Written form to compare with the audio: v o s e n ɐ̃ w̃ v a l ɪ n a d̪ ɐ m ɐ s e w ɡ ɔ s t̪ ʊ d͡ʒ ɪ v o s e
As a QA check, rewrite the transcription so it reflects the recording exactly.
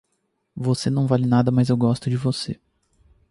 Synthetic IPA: v o s e n ɐ̃ w̃ v a l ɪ n a d̪ ɐ m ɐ z e w ɡ ɔ s t̪ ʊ d͡ʒ ɪ v o s e